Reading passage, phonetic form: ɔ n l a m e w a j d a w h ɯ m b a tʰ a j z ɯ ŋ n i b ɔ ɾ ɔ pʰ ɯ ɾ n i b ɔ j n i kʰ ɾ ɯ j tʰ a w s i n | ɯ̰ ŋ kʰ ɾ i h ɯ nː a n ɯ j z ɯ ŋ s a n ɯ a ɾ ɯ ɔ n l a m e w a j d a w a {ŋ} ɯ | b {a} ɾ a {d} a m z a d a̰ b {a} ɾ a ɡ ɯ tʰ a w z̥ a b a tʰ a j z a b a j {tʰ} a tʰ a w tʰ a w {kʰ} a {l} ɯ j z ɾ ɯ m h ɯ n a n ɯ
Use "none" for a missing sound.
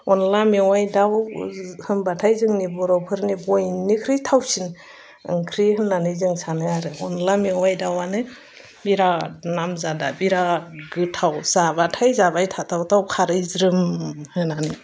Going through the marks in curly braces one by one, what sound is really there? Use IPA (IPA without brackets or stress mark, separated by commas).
n, i, n, i, tʰ, kʰ, ɾ